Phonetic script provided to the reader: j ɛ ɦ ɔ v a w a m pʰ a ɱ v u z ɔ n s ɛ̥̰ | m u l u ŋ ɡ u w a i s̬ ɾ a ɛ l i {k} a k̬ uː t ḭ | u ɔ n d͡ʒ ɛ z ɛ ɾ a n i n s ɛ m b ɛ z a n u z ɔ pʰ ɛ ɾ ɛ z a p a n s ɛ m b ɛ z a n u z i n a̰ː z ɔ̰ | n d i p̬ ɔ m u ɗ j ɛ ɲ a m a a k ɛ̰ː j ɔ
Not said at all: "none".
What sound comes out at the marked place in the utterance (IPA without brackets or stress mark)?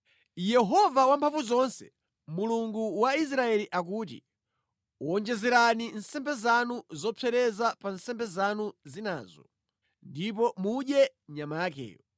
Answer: ʔ